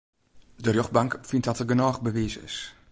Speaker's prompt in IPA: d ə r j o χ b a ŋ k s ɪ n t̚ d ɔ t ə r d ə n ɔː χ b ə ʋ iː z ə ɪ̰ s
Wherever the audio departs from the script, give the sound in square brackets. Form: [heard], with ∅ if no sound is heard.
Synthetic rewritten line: d ə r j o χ b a ŋ k [f] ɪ n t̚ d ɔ t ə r [ɡ] ə n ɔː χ b ə ʋ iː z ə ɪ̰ s